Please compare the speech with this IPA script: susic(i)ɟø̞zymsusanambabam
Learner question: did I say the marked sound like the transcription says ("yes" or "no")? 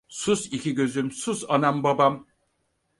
yes